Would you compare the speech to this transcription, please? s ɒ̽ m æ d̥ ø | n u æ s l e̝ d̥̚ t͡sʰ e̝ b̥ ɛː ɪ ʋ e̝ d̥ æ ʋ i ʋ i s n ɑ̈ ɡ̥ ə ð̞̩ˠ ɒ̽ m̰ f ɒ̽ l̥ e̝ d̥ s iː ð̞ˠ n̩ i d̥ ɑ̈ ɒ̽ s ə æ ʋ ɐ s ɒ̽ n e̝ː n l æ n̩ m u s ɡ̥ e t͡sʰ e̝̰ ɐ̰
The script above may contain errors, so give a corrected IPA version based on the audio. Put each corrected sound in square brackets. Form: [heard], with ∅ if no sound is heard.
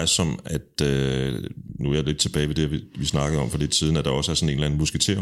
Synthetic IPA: s ɒ̽ m æ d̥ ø | n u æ [∅] l e̝ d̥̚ t͡sʰ e̝ b̥ ɛː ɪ ʋ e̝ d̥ [e] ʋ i ʋ i s n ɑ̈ ɡ̥ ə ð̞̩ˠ ɒ̽ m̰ f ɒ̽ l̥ e̝ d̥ s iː ð̞ˠ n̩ [æ] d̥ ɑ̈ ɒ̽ s ə æ [∅] ɐ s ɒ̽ n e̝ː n l æ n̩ m u s ɡ̥ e t͡sʰ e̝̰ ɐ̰